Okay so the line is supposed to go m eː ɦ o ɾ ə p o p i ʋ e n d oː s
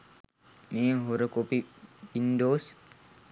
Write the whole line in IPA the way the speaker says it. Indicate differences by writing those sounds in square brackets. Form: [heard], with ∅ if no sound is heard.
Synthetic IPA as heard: m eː ɦ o ɾ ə [k] o p i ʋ [i] n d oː s